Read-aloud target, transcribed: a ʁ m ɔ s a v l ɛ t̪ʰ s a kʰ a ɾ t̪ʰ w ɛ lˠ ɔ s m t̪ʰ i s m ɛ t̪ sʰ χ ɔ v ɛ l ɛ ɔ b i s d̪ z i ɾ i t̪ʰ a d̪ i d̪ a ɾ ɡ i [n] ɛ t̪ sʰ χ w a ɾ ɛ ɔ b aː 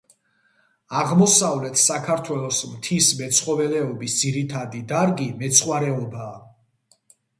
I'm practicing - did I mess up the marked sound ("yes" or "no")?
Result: yes